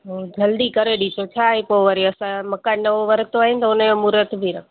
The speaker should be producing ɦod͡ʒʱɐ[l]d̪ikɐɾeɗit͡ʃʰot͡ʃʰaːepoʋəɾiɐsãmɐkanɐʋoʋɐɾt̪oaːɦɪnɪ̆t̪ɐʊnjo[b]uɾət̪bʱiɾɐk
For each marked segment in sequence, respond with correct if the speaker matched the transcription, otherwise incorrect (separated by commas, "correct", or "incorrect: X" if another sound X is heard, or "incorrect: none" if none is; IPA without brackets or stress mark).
correct, incorrect: m